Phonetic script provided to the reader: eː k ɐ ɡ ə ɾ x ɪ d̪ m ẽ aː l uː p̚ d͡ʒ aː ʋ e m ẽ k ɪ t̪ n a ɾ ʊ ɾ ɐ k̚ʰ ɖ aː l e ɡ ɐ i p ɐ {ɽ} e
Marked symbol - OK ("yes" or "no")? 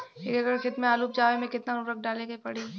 yes